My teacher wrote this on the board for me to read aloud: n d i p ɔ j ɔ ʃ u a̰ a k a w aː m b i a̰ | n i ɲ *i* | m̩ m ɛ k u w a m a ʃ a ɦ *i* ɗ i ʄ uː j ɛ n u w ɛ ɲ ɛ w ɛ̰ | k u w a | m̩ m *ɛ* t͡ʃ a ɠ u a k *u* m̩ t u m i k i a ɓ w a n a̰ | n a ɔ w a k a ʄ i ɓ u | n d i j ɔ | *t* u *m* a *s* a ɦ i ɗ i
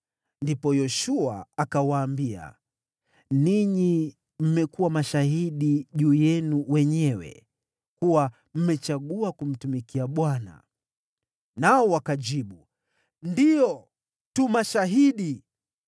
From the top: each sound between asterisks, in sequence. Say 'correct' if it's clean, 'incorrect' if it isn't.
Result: correct, correct, correct, correct, correct, correct, incorrect

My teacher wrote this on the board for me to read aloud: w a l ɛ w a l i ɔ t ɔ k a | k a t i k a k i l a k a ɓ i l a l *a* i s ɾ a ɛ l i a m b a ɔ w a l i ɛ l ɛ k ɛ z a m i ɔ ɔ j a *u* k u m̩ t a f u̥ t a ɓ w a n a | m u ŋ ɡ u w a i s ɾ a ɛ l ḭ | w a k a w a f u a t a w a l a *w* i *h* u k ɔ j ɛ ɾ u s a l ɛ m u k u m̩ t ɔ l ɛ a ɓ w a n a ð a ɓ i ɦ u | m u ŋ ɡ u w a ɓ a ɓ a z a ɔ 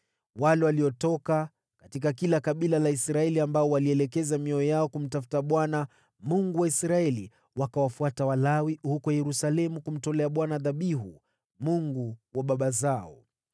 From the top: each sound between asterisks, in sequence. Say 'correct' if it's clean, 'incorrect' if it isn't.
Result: correct, incorrect, correct, correct

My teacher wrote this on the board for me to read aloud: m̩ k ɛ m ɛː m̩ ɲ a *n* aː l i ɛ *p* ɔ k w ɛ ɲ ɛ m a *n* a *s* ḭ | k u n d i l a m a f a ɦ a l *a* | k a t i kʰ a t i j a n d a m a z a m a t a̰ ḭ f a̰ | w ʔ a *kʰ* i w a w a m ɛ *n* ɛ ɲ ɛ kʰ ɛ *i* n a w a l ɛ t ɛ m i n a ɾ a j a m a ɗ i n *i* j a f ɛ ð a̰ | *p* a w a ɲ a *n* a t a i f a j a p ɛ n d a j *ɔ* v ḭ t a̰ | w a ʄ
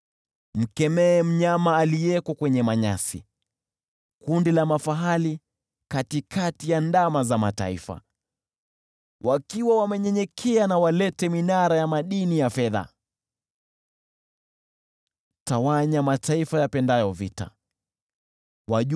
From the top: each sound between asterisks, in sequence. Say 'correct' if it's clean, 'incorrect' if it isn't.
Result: incorrect, incorrect, incorrect, correct, incorrect, incorrect, incorrect, incorrect, correct, incorrect, incorrect, correct

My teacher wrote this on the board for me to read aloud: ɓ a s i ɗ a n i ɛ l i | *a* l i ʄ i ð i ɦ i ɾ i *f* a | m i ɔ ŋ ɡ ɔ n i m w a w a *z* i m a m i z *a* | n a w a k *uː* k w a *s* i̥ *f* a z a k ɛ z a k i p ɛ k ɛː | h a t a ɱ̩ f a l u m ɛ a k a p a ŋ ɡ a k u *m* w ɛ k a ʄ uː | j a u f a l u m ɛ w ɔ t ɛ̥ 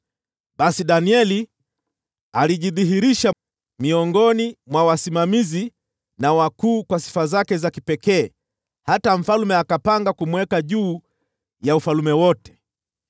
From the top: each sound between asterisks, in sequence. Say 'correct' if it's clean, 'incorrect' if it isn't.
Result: correct, incorrect, incorrect, incorrect, correct, correct, correct, correct

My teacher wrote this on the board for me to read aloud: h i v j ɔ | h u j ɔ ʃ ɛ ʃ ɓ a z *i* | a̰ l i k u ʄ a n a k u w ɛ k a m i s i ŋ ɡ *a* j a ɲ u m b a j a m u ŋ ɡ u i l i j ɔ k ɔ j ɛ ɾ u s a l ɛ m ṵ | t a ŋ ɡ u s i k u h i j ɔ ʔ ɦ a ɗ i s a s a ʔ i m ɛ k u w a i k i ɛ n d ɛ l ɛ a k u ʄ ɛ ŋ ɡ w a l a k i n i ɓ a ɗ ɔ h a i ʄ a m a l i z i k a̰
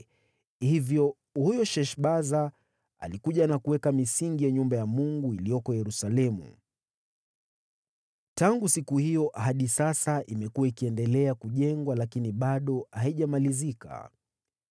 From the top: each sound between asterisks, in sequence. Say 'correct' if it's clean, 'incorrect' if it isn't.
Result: incorrect, incorrect

